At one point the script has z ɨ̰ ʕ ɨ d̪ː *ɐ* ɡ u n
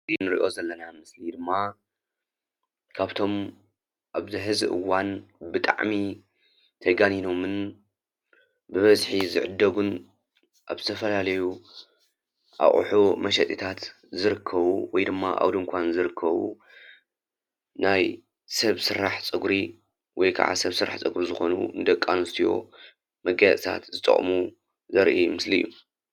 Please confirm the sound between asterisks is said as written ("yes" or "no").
yes